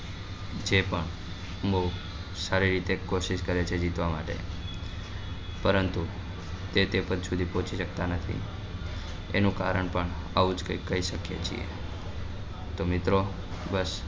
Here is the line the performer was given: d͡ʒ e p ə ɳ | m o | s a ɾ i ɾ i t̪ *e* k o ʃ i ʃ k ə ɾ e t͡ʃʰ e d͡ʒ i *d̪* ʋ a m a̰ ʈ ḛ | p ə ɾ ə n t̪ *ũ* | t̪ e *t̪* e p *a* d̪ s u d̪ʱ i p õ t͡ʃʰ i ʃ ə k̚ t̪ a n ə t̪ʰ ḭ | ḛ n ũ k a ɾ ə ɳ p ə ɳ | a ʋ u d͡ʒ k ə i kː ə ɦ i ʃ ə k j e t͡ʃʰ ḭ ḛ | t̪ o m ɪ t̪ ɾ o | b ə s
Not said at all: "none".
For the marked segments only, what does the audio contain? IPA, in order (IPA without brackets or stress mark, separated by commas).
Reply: e, t̪, u, t̪, ə